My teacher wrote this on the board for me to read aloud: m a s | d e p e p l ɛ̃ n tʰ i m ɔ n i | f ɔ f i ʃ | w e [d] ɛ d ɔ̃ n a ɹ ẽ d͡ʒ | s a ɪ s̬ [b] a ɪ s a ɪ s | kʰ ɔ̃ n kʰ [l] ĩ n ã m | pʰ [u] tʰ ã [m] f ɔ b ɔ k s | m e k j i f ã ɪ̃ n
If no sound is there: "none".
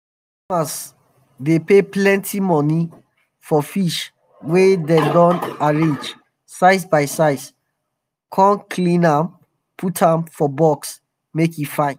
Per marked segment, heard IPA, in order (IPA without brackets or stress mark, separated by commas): d, b, l, u, m